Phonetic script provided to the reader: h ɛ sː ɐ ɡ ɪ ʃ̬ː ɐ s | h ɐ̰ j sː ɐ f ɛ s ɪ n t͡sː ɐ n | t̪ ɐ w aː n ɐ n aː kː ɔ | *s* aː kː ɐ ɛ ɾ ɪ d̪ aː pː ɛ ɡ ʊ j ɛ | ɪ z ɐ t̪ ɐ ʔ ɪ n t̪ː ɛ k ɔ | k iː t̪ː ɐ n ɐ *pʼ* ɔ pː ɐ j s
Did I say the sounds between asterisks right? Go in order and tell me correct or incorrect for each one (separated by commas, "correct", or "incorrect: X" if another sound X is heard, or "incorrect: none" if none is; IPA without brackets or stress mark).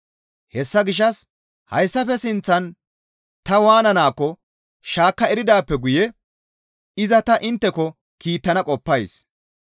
incorrect: ʃ, incorrect: kʼ